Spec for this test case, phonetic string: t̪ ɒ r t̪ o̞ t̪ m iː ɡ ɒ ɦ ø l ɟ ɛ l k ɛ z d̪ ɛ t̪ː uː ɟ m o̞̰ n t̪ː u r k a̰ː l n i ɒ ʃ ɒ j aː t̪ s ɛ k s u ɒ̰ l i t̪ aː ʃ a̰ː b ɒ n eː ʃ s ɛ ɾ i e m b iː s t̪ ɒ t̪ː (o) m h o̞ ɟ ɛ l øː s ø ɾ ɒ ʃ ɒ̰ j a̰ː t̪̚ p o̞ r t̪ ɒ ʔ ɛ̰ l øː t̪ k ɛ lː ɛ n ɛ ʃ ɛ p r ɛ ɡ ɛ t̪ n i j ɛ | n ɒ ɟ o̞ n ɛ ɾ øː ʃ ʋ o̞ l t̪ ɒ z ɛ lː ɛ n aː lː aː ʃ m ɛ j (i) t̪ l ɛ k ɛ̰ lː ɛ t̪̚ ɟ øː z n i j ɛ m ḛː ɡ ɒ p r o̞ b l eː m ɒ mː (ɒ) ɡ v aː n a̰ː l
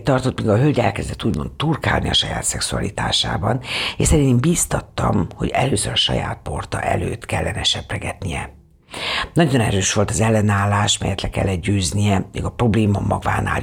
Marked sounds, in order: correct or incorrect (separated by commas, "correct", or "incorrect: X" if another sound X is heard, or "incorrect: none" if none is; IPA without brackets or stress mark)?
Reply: incorrect: ɒ, incorrect: ɛ, correct